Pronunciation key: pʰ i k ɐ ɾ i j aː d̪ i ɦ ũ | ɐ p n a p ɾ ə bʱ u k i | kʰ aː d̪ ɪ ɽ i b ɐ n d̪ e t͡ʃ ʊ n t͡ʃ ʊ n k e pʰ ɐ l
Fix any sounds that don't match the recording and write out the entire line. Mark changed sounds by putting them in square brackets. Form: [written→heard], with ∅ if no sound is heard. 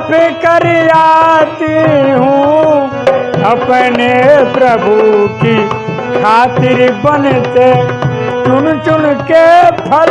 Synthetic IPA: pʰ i k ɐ ɾ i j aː [d̪→t̪] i ɦ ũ | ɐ p n [a→e] p ɾ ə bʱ u k i | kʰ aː [d̪→t̪] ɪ [ɽ→ɾ] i b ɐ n [d̪→t̪] e t͡ʃ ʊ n t͡ʃ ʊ n k e pʰ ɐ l

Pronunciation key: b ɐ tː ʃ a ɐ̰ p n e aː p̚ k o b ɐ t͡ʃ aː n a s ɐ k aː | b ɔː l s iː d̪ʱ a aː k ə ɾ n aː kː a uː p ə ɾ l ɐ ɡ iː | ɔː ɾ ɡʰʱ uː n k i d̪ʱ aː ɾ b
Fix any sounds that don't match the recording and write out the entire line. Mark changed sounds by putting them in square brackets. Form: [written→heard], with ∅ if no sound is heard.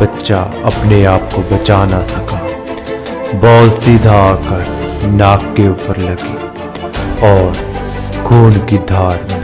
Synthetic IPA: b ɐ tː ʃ a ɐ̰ p n e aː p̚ k o b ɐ t͡ʃ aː n a s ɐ k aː | b ɔː l s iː d̪ʱ a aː k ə ɾ n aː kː [a→e] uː p ə ɾ l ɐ ɡ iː | ɔː ɾ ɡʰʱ uː n k i d̪ʱ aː ɾ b

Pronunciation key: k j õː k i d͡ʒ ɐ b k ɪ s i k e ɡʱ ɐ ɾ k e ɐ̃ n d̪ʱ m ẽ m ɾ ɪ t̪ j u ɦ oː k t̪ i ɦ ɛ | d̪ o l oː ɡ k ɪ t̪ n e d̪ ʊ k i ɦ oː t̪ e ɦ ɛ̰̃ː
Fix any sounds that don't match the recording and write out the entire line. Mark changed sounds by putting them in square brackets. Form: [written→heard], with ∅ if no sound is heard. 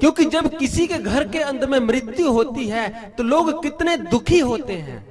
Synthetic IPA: k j õː k i d͡ʒ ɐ b k ɪ s i k e ɡʱ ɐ ɾ k e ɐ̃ n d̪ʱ m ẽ m ɾ ɪ t̪ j u ɦ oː [k→∅] t̪ i ɦ ɛ | [d̪→t̪] o l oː ɡ k ɪ t̪ n e d̪ ʊ [k→kʰ] i ɦ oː t̪ e ɦ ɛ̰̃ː

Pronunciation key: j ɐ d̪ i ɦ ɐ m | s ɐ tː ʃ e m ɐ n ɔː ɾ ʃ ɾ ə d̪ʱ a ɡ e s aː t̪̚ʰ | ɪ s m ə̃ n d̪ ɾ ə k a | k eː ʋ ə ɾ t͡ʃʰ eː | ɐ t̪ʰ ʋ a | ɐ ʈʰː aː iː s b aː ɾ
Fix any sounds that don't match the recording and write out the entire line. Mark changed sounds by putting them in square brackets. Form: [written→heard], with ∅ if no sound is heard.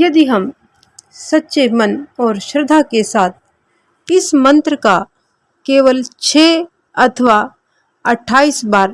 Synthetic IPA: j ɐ d̪ i ɦ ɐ m | s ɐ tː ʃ e m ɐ n ɔː ɾ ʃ ɾ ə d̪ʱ a [ɡ→k] e s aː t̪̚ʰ | ɪ s m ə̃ n [d̪→t̪] ɾ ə k a | k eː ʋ ə [ɾ→l] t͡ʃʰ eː | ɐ t̪ʰ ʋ a | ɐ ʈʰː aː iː s b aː ɾ

